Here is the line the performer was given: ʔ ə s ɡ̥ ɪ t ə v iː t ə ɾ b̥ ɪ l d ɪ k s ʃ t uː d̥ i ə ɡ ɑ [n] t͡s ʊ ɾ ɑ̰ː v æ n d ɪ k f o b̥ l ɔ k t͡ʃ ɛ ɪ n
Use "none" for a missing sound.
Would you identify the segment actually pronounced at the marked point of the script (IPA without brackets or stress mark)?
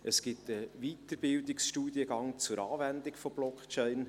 ŋ